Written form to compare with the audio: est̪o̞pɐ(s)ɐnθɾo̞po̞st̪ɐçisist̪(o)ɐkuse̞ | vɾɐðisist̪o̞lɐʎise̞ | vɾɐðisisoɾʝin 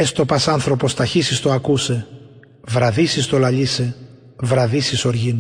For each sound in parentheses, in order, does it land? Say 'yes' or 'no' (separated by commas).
yes, yes